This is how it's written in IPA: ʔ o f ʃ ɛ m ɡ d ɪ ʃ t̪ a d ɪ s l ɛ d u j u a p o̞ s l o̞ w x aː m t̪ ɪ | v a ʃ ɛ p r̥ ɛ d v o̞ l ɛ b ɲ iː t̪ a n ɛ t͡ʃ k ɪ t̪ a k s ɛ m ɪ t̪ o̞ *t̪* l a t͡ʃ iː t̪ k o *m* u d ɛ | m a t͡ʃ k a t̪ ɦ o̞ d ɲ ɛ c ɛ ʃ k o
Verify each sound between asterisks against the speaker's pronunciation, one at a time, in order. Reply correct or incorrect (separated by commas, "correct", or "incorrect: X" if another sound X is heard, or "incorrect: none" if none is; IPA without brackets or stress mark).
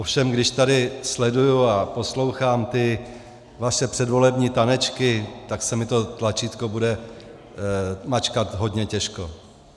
correct, incorrect: b